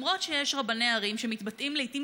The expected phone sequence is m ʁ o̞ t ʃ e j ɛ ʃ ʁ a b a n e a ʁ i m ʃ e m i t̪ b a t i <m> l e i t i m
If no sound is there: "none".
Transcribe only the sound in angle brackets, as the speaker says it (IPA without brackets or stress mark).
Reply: m